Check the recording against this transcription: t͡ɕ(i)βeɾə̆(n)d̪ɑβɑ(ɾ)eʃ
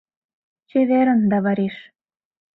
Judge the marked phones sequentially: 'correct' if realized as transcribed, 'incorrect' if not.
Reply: incorrect: e, correct, correct

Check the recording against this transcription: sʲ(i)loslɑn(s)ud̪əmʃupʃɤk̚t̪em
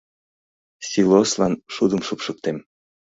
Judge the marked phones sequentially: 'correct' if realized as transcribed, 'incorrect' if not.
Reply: correct, incorrect: ʃ

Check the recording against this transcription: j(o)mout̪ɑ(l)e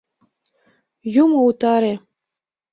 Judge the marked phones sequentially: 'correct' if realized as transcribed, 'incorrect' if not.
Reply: incorrect: u, incorrect: ɾ

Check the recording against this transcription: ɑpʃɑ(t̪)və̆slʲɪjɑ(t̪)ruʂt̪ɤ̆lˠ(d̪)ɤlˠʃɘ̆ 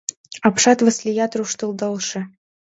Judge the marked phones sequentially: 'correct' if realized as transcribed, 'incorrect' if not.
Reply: correct, correct, correct

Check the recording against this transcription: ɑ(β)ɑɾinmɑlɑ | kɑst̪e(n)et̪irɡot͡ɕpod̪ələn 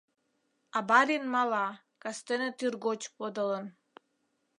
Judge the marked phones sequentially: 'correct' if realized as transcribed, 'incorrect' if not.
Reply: incorrect: b, correct

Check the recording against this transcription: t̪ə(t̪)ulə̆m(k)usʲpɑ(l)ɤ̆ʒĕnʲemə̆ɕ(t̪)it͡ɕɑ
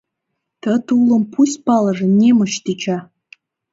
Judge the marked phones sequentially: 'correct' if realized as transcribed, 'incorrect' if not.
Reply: correct, incorrect: p, correct, correct

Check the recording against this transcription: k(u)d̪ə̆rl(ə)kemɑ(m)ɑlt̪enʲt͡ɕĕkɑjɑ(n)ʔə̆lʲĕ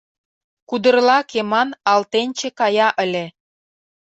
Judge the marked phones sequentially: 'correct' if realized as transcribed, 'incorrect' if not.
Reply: correct, incorrect: ɑ, incorrect: n, incorrect: none

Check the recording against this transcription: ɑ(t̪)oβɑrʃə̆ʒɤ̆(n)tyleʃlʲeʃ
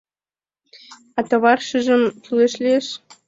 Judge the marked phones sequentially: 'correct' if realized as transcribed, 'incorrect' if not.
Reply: correct, incorrect: m

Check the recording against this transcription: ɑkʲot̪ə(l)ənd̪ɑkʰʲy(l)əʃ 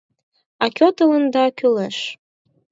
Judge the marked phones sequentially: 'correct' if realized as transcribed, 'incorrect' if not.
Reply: correct, correct

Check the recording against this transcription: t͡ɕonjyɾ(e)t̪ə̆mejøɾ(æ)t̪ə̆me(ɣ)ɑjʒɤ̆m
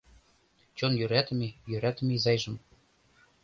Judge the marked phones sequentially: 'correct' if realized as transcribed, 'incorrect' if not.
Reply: incorrect: æ, correct, incorrect: z

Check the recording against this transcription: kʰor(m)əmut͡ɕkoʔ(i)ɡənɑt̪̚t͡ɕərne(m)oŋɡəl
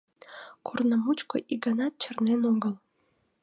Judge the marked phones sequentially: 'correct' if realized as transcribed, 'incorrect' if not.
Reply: incorrect: n, correct, incorrect: n

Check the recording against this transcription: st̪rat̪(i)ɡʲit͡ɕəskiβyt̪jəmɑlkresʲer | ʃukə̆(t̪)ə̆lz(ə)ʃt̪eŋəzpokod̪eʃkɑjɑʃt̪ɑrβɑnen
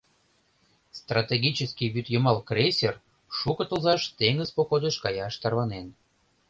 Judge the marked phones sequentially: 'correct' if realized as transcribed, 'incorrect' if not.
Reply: incorrect: e, correct, incorrect: ɑ

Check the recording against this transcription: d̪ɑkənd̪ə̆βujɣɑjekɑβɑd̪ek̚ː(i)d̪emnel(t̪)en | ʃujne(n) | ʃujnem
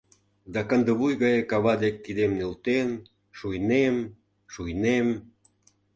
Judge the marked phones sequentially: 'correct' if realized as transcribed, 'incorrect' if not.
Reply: correct, correct, incorrect: m

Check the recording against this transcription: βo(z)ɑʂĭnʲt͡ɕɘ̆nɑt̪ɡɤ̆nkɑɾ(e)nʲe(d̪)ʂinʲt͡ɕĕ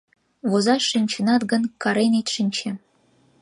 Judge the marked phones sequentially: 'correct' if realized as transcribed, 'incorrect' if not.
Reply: correct, correct, incorrect: t̪

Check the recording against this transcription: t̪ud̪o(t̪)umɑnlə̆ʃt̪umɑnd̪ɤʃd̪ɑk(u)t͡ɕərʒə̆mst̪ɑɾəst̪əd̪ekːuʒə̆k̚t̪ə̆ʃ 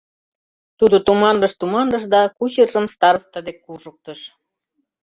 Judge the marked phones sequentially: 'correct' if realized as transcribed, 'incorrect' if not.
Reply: correct, correct

